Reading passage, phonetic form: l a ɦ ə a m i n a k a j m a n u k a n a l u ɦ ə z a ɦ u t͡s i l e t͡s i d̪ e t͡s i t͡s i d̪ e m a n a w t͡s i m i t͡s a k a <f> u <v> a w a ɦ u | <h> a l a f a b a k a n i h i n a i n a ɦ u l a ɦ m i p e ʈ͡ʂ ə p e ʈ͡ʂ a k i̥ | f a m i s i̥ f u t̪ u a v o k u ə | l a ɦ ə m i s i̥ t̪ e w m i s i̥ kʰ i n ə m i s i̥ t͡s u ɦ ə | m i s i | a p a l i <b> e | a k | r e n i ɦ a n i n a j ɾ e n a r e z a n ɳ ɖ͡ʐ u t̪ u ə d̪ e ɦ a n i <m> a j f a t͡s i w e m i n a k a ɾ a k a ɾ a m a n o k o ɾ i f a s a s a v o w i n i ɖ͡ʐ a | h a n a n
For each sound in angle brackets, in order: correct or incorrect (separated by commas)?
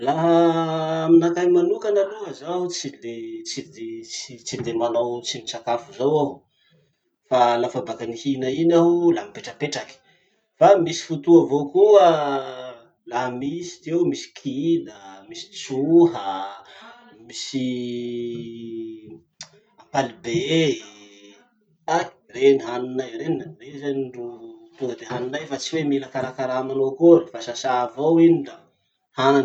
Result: correct, incorrect, incorrect, correct, incorrect